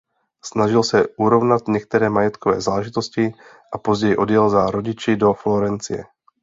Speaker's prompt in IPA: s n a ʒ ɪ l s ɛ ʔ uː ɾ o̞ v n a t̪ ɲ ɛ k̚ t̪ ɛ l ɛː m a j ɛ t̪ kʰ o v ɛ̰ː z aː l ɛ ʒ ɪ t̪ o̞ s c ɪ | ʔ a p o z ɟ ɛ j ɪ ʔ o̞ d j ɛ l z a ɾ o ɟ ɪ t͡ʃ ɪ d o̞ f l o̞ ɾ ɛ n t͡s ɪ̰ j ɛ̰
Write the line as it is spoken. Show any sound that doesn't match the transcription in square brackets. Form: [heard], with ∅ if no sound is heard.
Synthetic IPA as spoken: s n a ʒ ɪ l s ɛ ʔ [u] ɾ o̞ v n a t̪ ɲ ɛ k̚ t̪ ɛ [ɾ] ɛː m a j ɛ t̪ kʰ o v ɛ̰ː z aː l ɛ ʒ ɪ t̪ o̞ s c ɪ | ʔ a p o z ɟ ɛ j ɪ ʔ o̞ d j ɛ l z a ɾ o ɟ ɪ t͡ʃ ɪ d o̞ f l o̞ ɾ ɛ n t͡s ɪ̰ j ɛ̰

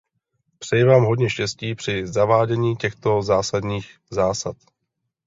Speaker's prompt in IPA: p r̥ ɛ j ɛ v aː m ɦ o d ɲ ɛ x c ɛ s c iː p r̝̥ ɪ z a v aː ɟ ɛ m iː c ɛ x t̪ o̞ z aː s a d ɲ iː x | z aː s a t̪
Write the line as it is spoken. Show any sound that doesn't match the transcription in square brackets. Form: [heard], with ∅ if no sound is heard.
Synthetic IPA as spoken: p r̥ ɛ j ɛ v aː m ɦ o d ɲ ɛ [ʃ] c ɛ s c iː p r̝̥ ɪ z a v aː ɟ ɛ [ɲ] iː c ɛ x t̪ o̞ z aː s a d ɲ iː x | z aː s a t̪

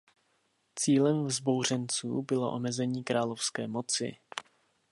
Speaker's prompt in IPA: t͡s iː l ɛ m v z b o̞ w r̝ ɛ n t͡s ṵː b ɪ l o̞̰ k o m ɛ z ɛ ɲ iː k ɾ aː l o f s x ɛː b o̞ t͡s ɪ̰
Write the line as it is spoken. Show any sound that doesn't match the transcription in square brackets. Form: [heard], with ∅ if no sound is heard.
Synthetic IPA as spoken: t͡s iː l ɛ m v z b o̞ w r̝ ɛ n t͡s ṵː b ɪ l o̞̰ [ʔ] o m ɛ z ɛ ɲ iː k ɾ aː l o f s [k] ɛː [m] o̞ t͡s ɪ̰

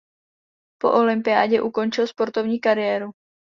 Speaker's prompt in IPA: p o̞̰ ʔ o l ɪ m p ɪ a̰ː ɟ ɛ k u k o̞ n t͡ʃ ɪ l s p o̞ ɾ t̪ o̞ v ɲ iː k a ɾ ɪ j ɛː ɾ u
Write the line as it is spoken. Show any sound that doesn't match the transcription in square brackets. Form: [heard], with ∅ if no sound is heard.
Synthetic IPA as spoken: p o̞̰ ʔ o l ɪ m p ɪ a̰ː ɟ ɛ [ʔ] u k o̞ n t͡ʃ ɪ l s p o̞ ɾ t̪ o̞ v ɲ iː k a ɾ ɪ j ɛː ɾ u

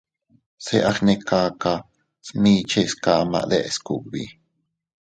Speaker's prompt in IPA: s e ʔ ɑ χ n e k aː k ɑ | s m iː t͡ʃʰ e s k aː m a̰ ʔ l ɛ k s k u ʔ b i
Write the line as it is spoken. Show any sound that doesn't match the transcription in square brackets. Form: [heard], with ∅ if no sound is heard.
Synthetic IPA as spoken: s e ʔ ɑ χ n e k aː k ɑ | s m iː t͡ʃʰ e s k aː m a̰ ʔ l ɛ [ʔ] s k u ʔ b i

